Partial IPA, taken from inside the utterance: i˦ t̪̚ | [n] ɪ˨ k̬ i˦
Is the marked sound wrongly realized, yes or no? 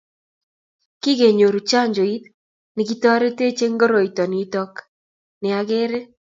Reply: no